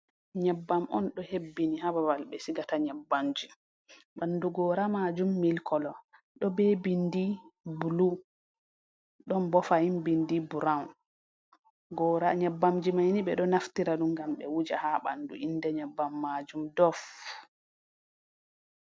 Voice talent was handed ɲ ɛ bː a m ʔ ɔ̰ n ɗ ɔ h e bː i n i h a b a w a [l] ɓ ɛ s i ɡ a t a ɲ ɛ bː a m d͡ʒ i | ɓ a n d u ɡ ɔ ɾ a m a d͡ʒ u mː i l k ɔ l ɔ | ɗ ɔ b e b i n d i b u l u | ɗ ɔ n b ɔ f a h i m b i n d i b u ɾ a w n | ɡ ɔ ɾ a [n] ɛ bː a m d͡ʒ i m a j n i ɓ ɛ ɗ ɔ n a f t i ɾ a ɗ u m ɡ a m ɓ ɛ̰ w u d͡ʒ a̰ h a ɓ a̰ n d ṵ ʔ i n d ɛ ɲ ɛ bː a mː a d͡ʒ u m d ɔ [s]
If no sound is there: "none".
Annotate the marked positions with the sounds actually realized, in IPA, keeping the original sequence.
l, ɲ, f

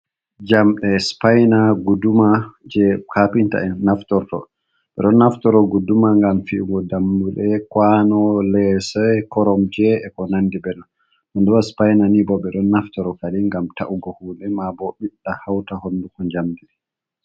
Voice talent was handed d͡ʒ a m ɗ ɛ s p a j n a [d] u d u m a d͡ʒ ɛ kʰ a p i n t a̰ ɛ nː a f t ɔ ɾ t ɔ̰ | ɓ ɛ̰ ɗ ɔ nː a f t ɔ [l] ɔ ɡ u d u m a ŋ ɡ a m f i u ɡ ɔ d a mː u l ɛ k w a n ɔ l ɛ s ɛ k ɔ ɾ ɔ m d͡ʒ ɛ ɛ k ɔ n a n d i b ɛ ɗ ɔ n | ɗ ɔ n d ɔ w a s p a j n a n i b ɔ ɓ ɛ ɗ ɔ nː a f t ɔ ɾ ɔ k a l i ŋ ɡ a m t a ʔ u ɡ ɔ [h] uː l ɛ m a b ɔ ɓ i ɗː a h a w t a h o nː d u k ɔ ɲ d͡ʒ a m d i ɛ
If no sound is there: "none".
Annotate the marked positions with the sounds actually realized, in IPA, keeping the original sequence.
ɡ, ɾ, h

